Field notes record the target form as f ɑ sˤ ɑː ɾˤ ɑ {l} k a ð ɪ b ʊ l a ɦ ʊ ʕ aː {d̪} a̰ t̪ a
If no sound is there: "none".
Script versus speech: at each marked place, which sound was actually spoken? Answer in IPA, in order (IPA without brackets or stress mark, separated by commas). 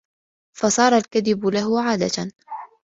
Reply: l, d̪